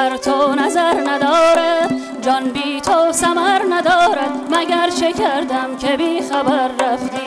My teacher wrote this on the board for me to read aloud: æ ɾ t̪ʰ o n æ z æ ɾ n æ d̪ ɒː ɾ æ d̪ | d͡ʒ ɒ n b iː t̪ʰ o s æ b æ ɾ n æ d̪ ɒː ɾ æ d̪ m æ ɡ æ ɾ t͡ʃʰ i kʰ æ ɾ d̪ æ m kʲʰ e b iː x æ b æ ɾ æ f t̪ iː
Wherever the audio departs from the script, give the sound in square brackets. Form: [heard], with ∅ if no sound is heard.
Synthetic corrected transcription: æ ɾ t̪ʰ o n æ z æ ɾ n æ d̪ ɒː ɾ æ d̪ | d͡ʒ ɒ n b iː t̪ʰ o s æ [m] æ ɾ n æ d̪ ɒː ɾ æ d̪ m æ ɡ æ ɾ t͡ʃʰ [e] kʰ æ ɾ d̪ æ m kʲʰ e b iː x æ b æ [ɾː] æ f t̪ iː

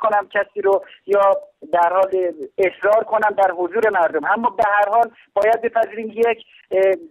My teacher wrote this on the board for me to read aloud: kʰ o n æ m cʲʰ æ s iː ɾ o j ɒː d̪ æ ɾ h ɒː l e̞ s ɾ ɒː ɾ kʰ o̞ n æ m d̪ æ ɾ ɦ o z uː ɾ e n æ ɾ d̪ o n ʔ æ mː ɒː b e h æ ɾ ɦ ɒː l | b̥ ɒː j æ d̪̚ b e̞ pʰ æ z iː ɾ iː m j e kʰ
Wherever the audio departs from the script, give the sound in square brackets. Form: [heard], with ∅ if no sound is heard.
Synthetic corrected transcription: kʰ o n æ m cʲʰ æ s iː ɾ o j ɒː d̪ æ ɾ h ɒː l e̞ s ɾ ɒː ɾ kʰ o̞ n æ m d̪ æ ɾ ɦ o z uː ɾ e [m] æ ɾ d̪ o [m] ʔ æ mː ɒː b e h æ ɾ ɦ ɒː l | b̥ ɒː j æ d̪̚ b e̞ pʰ æ z iː ɾ iː m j e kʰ

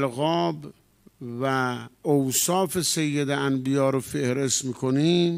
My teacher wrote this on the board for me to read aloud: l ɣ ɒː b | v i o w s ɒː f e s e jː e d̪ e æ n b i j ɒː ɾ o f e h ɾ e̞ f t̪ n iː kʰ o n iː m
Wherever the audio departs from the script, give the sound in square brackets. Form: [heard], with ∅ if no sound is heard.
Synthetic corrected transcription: l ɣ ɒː b | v [æ] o w s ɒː f e s e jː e d̪ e æ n b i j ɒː ɾ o f e h ɾ e̞ [s] t̪ [m] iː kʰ o n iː m

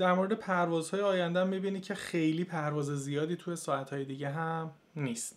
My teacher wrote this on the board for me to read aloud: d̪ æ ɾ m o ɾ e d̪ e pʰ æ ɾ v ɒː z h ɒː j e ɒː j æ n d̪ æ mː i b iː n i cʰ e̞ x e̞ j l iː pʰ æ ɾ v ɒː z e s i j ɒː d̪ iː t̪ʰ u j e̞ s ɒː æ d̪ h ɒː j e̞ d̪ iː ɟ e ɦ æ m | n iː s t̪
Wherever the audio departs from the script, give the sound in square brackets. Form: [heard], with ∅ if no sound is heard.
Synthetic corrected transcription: d̪ æ ɾ m o ɾ e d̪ e pʰ æ ɾ v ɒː z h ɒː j e ɒː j æ n d̪ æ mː i b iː n i cʰ e̞ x e̞ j l iː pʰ æ ɾ v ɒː z e [z] i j ɒː d̪ iː t̪ʰ u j e̞ s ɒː æ [t̪] h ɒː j e̞ d̪ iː ɟ e ɦ æ m | n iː s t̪

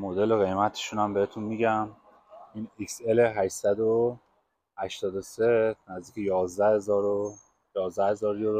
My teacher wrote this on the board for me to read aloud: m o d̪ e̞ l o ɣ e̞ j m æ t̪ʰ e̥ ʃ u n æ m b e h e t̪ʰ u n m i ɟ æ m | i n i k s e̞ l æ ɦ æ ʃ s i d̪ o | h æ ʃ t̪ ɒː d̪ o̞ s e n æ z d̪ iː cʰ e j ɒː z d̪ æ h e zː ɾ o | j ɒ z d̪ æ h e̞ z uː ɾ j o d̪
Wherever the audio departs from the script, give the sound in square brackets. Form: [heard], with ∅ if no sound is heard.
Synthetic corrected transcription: m o d̪ e̞ l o ɣ e̞ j m æ t̪ʰ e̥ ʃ u n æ m b e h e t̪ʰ u n m i ɟ æ m | i n i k s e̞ l [e] ɦ æ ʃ s [æ] d̪ o | h æ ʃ t̪ ɒː d̪ o̞ s e n æ z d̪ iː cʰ e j ɒː z d̪ æ h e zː ɾ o | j [ɒː] z d̪ æ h e̞ z [ɒː] ɾ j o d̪

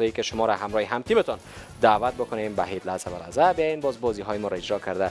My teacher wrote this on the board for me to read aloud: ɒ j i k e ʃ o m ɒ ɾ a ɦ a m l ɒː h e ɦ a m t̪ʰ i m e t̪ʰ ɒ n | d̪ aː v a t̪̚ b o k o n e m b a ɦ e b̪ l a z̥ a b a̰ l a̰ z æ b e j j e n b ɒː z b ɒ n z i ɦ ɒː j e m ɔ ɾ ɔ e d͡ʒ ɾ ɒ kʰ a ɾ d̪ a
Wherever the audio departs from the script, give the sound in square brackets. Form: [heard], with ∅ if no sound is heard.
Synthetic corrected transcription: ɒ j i k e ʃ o m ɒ ɾ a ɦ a m [ɾ] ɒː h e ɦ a m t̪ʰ i m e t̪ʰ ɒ n | d̪ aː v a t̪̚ b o k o n e m b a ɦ e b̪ l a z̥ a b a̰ l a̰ z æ b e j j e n b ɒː z b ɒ [∅] z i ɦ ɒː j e m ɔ ɾ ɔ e d͡ʒ ɾ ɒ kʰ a ɾ d̪ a

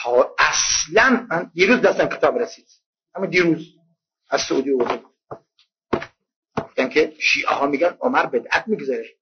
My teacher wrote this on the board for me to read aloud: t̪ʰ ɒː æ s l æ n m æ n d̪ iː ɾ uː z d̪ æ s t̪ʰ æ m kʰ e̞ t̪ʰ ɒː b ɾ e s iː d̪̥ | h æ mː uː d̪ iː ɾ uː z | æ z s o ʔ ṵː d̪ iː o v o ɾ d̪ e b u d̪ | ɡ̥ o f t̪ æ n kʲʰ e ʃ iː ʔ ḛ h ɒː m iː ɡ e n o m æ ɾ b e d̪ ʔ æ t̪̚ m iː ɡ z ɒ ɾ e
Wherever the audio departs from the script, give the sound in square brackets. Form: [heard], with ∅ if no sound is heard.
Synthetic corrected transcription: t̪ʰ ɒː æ s l æ n m æ n d̪ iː ɾ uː z d̪ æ s [t̪] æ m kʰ e̞ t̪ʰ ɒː b ɾ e s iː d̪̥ | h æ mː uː d̪ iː ɾ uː z | æ z s o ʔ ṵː d̪ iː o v o ɾ d̪ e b u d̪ | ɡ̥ o f t̪ æ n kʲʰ e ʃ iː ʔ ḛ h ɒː m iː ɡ [æ] n o m æ ɾ b e d̪ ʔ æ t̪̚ m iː ɡ z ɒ ɾ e

